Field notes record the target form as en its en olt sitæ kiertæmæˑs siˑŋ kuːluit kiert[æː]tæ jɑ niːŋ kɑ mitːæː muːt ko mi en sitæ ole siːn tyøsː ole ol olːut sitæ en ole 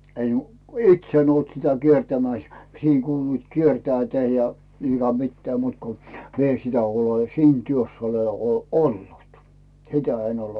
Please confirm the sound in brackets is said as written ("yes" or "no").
yes